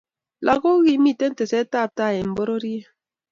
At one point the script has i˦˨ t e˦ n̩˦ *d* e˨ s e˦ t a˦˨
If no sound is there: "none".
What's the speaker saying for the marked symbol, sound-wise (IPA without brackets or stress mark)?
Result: t